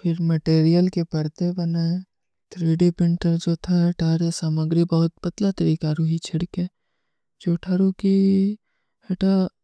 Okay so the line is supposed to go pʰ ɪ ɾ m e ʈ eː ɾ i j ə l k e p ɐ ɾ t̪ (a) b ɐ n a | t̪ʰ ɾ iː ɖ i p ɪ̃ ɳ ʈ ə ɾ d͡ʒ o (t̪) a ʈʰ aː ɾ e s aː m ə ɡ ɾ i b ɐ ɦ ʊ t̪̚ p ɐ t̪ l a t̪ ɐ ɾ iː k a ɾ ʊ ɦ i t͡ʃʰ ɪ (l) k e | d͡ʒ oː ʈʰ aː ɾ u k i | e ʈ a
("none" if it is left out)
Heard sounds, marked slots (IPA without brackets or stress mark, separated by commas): e, t̪ʰ, ɽ